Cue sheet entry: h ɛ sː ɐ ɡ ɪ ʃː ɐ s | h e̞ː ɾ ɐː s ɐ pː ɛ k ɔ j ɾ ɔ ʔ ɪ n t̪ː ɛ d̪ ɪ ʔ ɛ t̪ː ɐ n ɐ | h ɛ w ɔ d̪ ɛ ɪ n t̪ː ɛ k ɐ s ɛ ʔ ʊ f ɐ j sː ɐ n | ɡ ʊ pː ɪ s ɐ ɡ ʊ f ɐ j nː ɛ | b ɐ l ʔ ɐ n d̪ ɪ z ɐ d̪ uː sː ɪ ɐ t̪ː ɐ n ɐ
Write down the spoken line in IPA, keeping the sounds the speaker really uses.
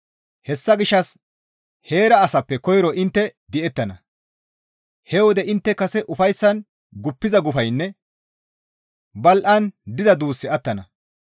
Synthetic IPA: h ɛ sː ɐ ɡ ɪ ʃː ɐ s | h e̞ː ɾ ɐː s ɐ pː ɛ k ɔ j ɾ ɔ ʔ ɪ n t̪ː ɛ d̪ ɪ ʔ ɛ t̪ː ɐ n ɐ | h ɛ w ɔ d̪ ɛ ɪ n t̪ː ɛ k ɐ s ɛ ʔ ʊ f ɐ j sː ɐ n | ɡ ʊ pː ɪ z ɐ ɡ ʊ f ɐ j nː ɛ | b ɐ l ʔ ɐ n d̪ ɪ z ɐ d̪ uː sː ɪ ɐ t̪ː ɐ n ɐ